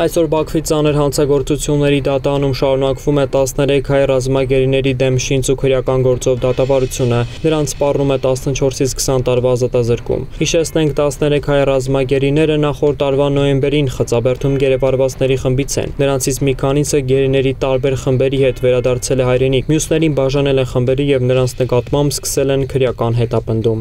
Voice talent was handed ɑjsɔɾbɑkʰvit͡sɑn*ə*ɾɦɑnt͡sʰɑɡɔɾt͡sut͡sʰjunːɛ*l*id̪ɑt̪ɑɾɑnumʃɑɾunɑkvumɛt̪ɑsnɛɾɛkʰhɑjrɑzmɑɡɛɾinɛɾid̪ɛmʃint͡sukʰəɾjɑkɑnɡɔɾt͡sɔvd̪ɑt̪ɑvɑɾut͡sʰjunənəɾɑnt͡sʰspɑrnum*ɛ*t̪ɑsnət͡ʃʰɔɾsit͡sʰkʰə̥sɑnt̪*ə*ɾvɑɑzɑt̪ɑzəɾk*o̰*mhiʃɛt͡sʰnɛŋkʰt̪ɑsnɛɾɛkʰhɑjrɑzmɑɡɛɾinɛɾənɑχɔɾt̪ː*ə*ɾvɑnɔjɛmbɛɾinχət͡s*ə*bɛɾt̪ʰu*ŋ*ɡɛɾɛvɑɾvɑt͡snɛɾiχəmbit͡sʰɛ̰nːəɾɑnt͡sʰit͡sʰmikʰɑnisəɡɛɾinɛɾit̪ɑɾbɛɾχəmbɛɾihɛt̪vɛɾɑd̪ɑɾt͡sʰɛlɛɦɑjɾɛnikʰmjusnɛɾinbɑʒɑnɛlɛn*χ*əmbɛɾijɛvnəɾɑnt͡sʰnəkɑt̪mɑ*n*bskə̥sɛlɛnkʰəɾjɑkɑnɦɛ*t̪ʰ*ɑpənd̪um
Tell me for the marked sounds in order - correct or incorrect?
correct, incorrect: ɾ, correct, incorrect: ɑ, incorrect: ṵ, incorrect: ɑ, incorrect: ɑ, incorrect: m, correct, incorrect: m, incorrect: t̪

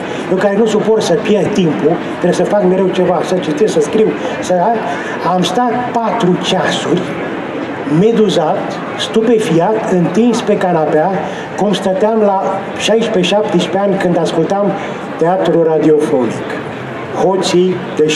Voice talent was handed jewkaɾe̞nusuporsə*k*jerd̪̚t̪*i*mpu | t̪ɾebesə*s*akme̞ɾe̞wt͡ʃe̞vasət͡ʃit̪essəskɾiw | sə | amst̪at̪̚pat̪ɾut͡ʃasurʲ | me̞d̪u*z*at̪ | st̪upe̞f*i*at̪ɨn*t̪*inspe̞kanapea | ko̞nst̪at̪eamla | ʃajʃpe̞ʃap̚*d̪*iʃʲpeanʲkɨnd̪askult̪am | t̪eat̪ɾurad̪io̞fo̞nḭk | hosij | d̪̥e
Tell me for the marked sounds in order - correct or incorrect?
incorrect: p, correct, incorrect: f, correct, correct, correct, incorrect: t̪

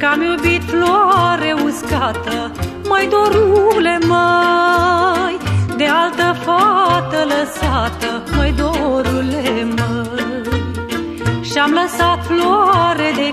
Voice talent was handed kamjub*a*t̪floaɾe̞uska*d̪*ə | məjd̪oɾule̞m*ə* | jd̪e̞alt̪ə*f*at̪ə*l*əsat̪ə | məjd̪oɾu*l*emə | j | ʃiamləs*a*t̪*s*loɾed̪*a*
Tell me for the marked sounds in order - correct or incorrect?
incorrect: i, incorrect: t̪, correct, correct, correct, correct, correct, incorrect: f, incorrect: e

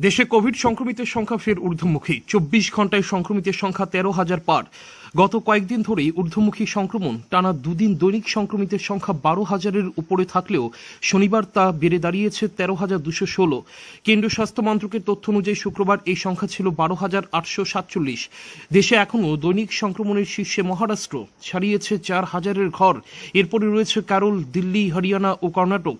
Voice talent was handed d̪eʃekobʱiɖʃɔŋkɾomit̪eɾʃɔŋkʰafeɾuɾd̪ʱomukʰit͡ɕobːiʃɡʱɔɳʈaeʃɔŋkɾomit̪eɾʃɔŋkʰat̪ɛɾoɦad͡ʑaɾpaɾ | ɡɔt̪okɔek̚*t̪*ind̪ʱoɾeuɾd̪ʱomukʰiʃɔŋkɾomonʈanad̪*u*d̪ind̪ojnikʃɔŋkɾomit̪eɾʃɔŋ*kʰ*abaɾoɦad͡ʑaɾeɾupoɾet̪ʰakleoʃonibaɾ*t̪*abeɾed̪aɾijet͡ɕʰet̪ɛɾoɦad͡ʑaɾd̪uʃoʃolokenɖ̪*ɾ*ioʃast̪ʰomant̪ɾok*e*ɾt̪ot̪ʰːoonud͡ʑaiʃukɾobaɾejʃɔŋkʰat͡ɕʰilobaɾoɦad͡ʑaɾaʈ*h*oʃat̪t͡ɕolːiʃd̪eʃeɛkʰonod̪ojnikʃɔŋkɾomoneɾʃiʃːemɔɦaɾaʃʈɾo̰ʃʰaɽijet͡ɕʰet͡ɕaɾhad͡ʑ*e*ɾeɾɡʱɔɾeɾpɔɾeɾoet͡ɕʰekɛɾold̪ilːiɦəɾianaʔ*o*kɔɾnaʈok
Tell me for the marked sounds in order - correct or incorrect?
incorrect: d̪, correct, correct, correct, correct, correct, incorrect: ʃ, incorrect: a, correct

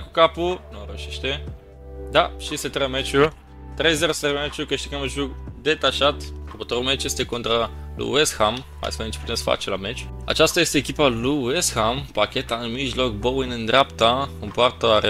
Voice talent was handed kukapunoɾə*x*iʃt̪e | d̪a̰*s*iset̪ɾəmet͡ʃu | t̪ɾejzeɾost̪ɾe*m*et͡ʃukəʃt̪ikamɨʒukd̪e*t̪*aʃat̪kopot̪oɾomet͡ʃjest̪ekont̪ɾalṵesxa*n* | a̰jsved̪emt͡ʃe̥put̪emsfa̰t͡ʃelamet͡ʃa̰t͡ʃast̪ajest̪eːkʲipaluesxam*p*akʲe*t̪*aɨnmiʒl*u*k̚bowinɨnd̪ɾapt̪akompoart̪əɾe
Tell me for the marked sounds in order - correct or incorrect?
incorrect: ʃ, incorrect: ʃ, correct, correct, incorrect: m, correct, correct, incorrect: o

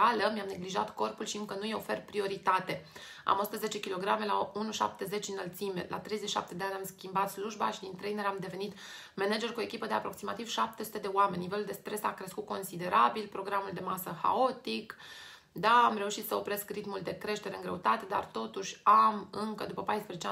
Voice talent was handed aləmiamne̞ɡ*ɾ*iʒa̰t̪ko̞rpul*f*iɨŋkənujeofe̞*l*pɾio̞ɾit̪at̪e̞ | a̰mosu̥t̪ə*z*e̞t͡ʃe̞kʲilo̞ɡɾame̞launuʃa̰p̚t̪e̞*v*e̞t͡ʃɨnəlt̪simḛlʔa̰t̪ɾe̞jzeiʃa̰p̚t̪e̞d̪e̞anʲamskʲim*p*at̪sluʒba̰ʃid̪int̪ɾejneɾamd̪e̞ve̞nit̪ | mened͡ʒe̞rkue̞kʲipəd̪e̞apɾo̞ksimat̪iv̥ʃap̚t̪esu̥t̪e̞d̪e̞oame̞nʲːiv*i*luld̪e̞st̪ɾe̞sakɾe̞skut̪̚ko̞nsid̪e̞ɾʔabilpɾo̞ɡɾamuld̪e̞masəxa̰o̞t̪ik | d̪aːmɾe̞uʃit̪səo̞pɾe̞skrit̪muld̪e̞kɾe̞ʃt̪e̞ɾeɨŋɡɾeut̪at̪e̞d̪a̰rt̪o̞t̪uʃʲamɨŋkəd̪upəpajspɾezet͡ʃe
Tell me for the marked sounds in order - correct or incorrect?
incorrect: l, incorrect: ʃ, incorrect: r, correct, incorrect: z, incorrect: b, incorrect: e

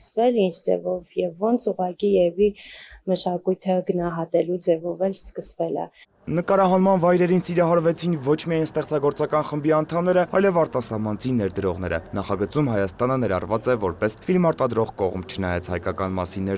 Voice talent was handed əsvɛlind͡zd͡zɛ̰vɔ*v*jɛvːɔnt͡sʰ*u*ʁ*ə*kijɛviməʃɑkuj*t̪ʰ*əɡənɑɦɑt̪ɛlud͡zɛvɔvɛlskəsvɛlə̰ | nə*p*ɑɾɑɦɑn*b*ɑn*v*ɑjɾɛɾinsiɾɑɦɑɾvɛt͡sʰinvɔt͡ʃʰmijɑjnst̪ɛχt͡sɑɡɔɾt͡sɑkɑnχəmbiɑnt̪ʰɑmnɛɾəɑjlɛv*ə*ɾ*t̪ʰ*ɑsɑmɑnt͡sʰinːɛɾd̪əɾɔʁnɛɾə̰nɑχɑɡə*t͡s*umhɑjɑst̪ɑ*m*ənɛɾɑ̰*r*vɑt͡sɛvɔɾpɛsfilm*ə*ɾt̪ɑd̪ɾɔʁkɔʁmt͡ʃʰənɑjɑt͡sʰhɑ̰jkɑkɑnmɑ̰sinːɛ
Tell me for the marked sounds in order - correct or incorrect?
correct, correct, incorrect: ɑ, correct, incorrect: k, incorrect: m, correct, incorrect: ɑ, incorrect: t̪, correct, incorrect: n, correct, incorrect: ɑ

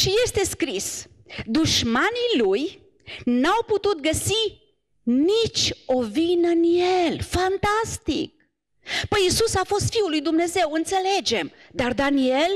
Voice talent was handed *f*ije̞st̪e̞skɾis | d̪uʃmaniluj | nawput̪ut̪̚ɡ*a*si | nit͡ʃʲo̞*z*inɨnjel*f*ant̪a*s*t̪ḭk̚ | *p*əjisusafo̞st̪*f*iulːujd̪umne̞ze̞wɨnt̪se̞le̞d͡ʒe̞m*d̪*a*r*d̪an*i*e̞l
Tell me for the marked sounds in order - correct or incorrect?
incorrect: ʃ, incorrect: ə, incorrect: v, correct, correct, correct, correct, correct, correct, correct

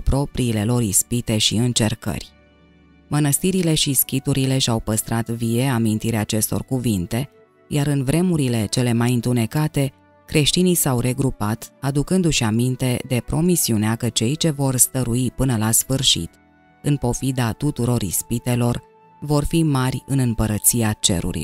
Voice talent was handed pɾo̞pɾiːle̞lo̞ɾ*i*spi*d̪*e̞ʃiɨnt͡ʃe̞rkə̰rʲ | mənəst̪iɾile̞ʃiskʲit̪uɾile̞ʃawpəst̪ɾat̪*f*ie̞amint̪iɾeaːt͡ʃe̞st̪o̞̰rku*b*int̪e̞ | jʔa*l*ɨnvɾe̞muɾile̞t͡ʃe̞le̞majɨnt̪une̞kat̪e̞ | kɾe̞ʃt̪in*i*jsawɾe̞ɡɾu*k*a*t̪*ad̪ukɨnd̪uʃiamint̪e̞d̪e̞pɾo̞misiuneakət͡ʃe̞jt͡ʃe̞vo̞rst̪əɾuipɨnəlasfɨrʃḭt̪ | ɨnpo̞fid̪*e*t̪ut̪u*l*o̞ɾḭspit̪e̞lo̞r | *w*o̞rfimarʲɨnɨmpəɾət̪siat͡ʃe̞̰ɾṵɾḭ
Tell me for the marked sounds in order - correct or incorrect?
correct, incorrect: t̪, incorrect: v, incorrect: v, incorrect: ɾ, correct, incorrect: p, correct, incorrect: a, incorrect: ɾ, incorrect: v

